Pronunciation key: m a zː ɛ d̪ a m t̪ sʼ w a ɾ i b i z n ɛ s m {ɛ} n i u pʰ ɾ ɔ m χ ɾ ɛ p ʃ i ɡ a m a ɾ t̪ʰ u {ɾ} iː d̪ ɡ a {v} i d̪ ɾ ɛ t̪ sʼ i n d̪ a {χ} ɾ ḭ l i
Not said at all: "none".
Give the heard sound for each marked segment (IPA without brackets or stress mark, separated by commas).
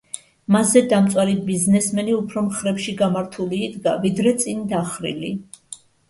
ɛ, l, v, χ